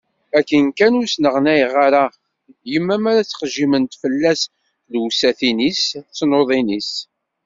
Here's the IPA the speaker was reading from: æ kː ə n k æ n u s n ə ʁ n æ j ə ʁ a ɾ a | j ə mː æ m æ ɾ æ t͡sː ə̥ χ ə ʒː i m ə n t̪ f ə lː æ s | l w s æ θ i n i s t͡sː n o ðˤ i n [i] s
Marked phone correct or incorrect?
correct